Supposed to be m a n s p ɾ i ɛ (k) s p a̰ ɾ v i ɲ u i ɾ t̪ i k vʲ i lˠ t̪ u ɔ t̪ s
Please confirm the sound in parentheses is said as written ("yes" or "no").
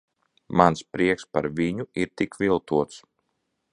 yes